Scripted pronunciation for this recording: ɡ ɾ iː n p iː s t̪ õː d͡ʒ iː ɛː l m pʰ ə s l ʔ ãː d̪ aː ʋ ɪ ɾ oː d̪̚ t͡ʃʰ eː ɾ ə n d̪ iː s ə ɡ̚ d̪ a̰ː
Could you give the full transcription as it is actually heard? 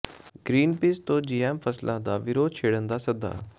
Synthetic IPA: ɡ ɾ iː n p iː s t̪ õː d͡ʒ iː ɛː m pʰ ə s l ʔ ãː d̪ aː ʋ ɪ ɾ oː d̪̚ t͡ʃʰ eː ɽ ə n d̪ aː s ə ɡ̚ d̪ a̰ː